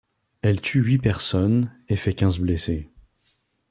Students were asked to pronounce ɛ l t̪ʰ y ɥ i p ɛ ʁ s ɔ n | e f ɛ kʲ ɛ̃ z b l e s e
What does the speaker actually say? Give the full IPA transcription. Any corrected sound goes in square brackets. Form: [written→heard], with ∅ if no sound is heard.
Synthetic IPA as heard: ɛ l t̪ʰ y ɥ i p ɛ ʁ s ɔ n | e f ɛ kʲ ɛ̃ z b l e s e